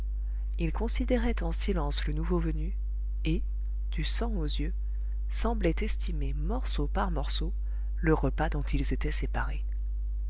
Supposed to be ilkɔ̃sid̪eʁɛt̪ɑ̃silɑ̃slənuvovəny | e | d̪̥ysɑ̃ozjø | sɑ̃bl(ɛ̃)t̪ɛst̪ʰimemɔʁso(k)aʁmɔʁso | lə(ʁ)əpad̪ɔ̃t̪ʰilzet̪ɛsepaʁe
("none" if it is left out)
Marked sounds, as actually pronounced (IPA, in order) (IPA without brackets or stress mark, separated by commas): ɛ, p, ʁ